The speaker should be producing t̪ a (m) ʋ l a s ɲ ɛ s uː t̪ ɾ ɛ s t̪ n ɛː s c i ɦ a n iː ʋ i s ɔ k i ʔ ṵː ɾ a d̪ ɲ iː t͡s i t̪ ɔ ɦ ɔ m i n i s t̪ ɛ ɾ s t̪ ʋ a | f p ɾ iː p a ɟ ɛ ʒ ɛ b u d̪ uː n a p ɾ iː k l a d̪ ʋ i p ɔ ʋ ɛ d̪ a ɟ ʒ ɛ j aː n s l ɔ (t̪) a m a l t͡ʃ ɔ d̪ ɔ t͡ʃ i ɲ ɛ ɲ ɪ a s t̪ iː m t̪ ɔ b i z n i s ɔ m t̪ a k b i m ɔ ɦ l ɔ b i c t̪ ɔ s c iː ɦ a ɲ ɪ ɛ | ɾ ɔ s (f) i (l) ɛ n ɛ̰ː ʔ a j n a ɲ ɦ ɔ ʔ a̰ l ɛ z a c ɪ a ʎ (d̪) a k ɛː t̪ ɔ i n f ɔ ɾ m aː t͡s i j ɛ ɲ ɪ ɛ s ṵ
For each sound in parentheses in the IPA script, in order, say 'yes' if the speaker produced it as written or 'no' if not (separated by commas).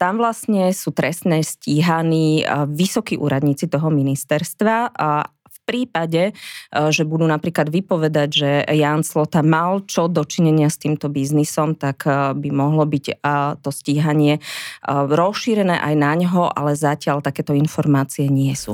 yes, yes, no, no, no